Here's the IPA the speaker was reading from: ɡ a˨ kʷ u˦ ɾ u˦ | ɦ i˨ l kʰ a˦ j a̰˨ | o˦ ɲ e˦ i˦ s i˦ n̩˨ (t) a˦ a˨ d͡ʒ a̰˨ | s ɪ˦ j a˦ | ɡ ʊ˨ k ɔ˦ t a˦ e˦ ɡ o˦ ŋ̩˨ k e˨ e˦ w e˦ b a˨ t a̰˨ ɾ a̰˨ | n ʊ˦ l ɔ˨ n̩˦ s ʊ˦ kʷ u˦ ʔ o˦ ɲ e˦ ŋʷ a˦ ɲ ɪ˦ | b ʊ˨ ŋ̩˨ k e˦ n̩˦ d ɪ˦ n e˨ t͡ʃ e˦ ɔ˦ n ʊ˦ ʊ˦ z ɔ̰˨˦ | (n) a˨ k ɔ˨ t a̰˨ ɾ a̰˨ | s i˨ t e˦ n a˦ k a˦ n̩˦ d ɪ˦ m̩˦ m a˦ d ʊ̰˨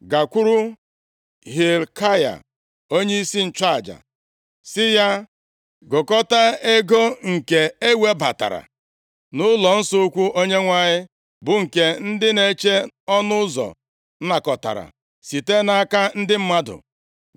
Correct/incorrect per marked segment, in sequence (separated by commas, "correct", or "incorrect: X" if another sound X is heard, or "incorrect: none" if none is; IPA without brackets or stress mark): incorrect: t͡ʃ, correct